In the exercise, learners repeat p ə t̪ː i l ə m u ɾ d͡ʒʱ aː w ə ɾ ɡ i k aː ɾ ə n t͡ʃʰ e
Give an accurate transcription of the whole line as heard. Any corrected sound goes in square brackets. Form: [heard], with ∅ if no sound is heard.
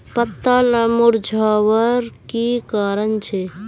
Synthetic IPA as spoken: p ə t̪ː [a] l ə m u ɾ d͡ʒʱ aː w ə ɾ [k] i k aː ɾ ə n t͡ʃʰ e